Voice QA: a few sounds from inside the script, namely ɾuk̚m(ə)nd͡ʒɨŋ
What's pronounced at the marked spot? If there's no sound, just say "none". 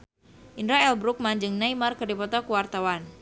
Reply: a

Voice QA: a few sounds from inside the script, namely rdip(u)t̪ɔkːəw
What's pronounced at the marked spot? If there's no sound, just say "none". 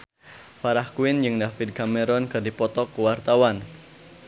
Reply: ɔ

